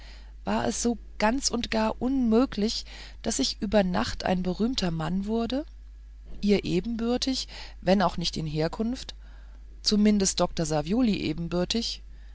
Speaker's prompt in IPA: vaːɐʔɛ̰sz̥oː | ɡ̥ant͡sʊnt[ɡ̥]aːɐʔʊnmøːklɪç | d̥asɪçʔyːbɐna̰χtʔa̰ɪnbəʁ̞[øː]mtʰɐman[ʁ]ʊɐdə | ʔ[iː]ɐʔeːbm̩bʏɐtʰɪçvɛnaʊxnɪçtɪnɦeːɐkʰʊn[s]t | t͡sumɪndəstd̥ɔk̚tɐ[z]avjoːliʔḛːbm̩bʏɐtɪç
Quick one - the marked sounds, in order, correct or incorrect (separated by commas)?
correct, incorrect, incorrect, correct, incorrect, correct